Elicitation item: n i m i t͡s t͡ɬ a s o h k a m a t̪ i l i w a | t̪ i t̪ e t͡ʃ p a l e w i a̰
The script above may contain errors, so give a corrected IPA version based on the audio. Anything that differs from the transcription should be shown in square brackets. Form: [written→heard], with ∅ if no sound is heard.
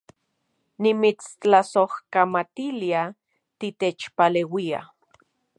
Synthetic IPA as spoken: n i m i t͡s t͡ɬ a s o h k a m a t̪ i l i [w→∅] a | t̪ i t̪ e t͡ʃ p a l e w i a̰